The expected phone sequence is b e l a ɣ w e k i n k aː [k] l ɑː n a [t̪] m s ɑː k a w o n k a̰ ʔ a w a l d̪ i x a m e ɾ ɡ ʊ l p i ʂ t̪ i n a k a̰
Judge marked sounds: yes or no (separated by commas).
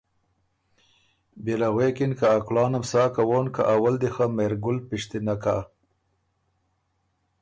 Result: yes, no